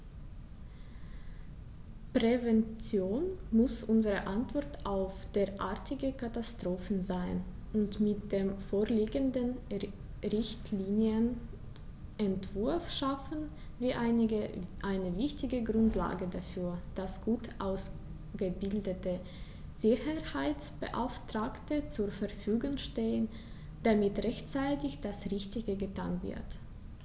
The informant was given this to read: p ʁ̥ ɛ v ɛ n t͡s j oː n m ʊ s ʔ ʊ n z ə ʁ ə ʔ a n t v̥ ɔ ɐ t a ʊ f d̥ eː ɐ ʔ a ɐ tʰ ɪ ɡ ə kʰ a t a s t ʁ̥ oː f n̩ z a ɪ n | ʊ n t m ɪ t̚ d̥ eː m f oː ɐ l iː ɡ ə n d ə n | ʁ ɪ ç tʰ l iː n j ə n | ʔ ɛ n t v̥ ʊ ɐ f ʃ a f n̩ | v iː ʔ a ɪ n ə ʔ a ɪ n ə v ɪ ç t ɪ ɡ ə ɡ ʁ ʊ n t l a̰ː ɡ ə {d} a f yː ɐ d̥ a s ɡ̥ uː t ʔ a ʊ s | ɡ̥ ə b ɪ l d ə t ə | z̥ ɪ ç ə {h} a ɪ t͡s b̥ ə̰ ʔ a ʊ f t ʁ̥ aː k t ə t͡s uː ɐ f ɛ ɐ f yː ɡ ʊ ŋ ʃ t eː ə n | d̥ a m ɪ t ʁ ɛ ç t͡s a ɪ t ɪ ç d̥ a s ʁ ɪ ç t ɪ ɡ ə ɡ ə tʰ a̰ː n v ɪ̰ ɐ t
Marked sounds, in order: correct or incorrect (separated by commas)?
correct, correct